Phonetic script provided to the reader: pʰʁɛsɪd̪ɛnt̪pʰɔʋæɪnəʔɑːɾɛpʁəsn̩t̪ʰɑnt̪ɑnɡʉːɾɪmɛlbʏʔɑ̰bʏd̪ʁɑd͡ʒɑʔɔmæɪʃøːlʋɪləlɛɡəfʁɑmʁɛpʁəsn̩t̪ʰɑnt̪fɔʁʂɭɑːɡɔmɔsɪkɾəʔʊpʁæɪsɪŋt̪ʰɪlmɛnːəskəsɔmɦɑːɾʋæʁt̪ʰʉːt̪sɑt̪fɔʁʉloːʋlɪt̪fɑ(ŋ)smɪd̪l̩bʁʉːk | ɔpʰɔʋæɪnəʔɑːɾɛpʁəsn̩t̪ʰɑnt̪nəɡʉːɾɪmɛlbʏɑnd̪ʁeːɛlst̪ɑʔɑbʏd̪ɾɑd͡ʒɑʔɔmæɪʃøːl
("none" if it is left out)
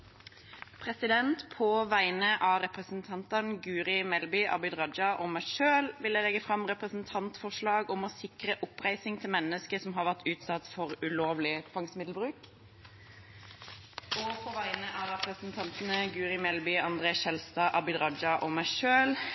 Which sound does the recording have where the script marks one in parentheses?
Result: ŋ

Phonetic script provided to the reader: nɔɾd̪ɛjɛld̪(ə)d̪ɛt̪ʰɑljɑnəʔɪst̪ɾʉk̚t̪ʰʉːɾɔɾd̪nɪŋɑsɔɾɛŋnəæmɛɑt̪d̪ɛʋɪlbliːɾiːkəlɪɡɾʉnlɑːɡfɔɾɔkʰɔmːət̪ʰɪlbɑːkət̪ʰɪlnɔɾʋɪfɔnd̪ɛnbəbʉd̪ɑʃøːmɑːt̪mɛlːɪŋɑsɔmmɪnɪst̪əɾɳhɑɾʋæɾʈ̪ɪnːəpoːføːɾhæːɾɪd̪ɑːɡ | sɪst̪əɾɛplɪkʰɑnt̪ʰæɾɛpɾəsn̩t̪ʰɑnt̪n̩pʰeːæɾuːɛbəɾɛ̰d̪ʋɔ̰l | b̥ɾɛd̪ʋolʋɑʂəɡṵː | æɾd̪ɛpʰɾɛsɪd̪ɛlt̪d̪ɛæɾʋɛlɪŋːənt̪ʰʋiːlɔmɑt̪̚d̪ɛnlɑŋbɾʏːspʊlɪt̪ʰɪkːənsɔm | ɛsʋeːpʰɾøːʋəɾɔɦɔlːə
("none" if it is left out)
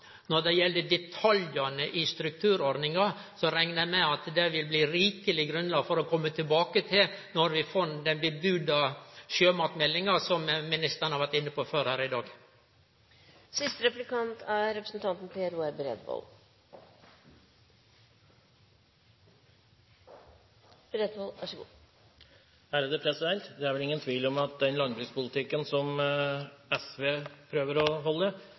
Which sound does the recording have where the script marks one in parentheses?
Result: ə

